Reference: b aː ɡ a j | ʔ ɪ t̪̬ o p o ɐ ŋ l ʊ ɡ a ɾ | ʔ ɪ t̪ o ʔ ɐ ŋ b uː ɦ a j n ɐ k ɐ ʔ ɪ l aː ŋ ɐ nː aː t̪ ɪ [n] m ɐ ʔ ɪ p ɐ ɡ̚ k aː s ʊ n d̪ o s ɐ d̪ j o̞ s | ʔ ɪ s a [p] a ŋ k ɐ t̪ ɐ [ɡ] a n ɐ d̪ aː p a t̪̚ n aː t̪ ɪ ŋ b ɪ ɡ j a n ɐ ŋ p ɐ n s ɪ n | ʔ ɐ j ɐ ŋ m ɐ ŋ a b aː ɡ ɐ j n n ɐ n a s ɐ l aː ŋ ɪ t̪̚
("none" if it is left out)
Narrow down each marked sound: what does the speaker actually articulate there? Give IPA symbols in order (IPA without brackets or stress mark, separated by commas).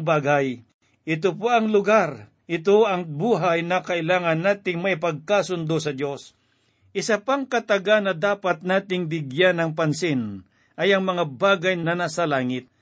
ŋ, p, ɡ